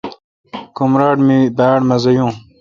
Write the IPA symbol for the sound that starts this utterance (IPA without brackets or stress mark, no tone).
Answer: k